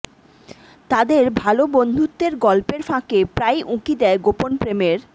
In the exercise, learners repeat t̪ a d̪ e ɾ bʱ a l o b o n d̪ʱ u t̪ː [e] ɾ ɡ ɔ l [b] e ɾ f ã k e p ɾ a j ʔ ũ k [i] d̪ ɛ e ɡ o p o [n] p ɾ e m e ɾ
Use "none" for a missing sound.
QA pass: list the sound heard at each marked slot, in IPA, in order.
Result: e, p, i, n

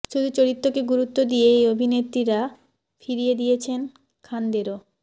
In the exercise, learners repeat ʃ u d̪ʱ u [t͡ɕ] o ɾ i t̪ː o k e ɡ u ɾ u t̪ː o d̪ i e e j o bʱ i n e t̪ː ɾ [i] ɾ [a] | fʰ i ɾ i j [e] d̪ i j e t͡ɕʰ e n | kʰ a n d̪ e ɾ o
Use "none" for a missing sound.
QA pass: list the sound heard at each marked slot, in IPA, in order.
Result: t͡ɕ, i, a, e

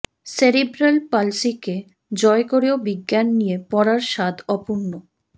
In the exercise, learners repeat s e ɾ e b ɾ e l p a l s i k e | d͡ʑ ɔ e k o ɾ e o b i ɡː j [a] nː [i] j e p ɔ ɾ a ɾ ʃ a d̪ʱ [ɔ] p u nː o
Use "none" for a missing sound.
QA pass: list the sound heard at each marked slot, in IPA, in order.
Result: a, i, ɔ

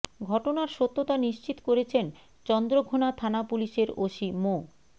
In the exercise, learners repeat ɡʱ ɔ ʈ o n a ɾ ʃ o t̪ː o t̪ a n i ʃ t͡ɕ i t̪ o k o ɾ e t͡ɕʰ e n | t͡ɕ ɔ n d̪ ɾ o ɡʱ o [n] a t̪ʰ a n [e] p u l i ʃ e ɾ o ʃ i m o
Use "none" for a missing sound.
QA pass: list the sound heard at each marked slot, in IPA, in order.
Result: n, a

